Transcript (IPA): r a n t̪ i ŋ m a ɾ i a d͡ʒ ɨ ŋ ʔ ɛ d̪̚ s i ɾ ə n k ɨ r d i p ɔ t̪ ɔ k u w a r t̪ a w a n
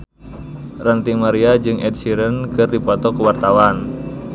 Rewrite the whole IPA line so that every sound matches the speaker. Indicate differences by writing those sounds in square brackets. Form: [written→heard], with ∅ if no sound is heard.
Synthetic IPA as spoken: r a n t̪ i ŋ m a ɾ i a d͡ʒ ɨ ŋ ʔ ɛ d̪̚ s i ɾ ə n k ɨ r d i p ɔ t̪ ɔ k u w a r t̪ a w a n

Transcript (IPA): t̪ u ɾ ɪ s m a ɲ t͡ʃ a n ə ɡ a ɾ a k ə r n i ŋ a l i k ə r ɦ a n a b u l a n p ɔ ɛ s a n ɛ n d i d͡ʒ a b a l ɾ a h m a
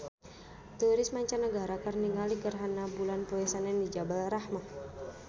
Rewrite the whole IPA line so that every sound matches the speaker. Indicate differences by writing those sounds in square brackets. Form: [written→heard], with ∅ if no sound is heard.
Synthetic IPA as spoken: t̪ u ɾ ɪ s m a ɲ t͡ʃ a n ə ɡ a ɾ a k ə r n i ŋ a l i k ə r ɦ a n a b u l a n p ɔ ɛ s a n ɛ n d i d͡ʒ a b a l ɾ a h m a

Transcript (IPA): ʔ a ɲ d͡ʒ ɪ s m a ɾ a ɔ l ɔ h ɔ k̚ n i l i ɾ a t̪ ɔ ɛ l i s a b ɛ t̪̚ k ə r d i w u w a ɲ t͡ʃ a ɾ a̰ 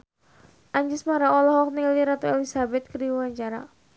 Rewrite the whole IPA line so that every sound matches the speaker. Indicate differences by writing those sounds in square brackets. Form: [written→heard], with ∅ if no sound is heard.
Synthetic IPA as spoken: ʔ a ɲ d͡ʒ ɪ s m a ɾ a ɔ l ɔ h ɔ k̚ n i l i ɾ a t̪ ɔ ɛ l i s a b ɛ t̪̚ k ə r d i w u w a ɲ t͡ʃ a ɾ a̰

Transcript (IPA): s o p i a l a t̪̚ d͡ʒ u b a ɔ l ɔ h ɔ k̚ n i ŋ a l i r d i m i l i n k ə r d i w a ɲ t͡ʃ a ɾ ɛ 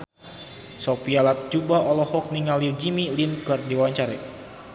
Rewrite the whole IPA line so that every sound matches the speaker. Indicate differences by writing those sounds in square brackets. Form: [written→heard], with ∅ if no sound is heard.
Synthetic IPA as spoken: s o p i a l a t̪̚ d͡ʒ u b a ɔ l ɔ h ɔ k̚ n i ŋ a l i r [d→d͡ʒ] i m i l i n k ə r d i w a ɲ t͡ʃ a ɾ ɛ

